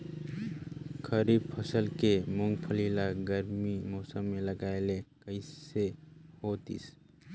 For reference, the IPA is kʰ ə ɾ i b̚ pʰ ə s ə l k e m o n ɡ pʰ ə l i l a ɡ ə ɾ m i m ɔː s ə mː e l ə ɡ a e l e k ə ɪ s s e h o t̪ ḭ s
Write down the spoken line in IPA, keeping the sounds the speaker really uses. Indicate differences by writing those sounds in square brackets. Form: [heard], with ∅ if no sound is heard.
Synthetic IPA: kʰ ə ɾ i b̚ pʰ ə s ə l k e m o [ŋ] ɡ pʰ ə l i l a ɡ ə ɾ m i m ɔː s ə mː e l ə ɡ a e l e k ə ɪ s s e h o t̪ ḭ s

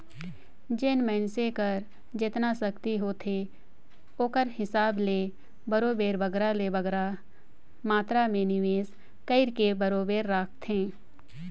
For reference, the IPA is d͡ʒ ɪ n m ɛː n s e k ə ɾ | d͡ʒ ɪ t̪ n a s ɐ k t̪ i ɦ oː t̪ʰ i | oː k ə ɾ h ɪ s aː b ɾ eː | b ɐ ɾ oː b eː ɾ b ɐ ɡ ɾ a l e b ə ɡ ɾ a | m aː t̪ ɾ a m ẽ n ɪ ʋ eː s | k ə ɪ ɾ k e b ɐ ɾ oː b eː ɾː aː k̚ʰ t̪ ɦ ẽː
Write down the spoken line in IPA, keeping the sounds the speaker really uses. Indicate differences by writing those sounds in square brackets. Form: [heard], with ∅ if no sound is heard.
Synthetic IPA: d͡ʒ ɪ n m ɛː n s e k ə ɾ | d͡ʒ ɪ t̪ n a s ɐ k t̪ i ɦ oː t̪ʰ [e] | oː k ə ɾ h ɪ s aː b [l] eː | b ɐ ɾ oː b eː ɾ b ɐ ɡ ɾ a l e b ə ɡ ɾ a | m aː t̪ ɾ a m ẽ n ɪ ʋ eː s | k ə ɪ ɾ k e b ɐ ɾ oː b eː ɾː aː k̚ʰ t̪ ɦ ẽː

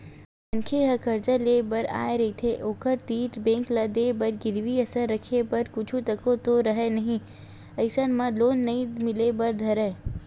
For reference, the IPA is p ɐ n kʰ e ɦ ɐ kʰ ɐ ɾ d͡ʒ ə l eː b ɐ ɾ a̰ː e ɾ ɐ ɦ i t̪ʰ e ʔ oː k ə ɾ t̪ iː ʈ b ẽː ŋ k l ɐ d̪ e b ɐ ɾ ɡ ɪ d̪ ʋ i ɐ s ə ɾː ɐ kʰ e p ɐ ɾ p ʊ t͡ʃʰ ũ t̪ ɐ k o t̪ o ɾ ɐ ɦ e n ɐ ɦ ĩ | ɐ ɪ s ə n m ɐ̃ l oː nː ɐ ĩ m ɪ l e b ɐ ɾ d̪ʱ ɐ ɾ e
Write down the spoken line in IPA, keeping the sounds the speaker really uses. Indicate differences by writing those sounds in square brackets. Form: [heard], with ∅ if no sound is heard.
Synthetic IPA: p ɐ n kʰ e ɦ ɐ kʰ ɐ ɾ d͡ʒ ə l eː b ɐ ɾ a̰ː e ɾ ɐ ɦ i t̪ʰ e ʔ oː k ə ɾ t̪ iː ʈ b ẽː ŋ k l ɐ d̪ e b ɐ ɾ ɡ ɪ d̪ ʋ i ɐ s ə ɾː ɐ kʰ e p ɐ ɾ [k] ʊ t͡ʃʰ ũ t̪ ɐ k o t̪ o ɾ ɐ ɦ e n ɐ ɦ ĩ | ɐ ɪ s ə n m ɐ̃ l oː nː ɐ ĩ m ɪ l e b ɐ ɾ d̪ʱ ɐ ɾ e

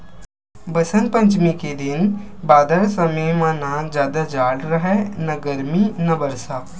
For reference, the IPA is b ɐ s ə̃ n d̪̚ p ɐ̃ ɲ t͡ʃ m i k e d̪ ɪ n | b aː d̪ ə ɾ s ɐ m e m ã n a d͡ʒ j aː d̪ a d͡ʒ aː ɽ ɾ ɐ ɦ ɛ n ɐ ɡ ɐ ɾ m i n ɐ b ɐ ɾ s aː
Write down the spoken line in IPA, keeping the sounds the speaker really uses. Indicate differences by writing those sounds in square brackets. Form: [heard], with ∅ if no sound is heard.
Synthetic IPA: b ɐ s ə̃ n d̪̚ p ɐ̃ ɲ t͡ʃ m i k e d̪ ɪ n | b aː d̪ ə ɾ s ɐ m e m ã n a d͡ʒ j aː d̪ a d͡ʒ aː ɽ ɾ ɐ ɦ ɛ n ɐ ɡ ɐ ɾ m i n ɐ b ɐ ɾ s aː

